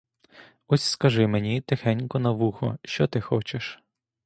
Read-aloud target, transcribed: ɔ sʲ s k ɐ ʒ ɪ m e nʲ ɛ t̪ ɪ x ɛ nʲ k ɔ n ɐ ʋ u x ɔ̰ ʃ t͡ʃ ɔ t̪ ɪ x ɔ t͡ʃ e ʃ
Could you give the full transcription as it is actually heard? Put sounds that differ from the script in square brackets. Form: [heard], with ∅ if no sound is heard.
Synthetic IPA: ɔ sʲ s k ɐ ʒ ɪ m e nʲ [i] t̪ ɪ x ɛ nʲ k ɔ n ɐ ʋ u x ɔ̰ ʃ t͡ʃ ɔ t̪ ɪ x ɔ t͡ʃ e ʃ